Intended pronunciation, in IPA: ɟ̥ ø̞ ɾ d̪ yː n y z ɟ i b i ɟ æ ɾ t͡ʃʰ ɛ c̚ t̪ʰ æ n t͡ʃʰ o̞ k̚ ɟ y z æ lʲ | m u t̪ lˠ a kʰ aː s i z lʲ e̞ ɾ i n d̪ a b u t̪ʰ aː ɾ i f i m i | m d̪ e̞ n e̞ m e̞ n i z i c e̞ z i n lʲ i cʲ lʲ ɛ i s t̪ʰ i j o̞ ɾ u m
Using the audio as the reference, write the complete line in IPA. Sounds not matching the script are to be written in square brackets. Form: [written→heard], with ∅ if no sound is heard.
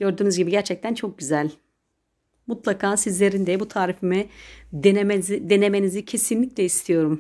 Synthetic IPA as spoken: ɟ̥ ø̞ ɾ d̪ yː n y z ɟ i b i ɟ æ ɾ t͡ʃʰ ɛ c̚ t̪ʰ æ n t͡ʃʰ o̞ k̚ ɟ y z æ lʲ | m u t̪ lˠ a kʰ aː s i z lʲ e̞ ɾ i n d̪ [a→ɛ] b u t̪ʰ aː ɾ i f i m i | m d̪ e̞ n e̞ m e̞ n i z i [c→cʰ] e̞ [z→s] i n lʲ i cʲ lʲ ɛ i s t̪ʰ i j o̞ ɾ u m